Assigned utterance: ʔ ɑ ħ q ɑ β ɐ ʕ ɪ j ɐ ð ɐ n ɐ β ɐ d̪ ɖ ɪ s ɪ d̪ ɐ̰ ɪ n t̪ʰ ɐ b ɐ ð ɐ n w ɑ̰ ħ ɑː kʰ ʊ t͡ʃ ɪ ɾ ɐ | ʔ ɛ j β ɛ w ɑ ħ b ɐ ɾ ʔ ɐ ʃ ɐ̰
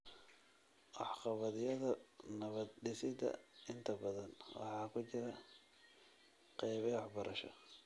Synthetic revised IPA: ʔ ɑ ħ q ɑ β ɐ ð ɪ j ɐ ð ɐ n ɐ β ɐ d̪ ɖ ɪ s ɪ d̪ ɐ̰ ɪ n t̪ʰ ɐ b ɐ ð ɐ n w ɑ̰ ħ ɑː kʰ ʊ t͡ʃ ɪ ɾ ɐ | q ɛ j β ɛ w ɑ ħ b ɐ ɾ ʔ ɐ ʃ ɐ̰